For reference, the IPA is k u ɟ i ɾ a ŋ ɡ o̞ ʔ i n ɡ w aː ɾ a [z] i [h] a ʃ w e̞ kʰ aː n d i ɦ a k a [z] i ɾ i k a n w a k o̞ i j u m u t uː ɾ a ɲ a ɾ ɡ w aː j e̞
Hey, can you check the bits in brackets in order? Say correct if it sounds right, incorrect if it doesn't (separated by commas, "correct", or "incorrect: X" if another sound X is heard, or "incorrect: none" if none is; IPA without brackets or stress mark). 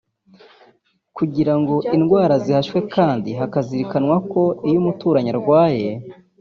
correct, correct, correct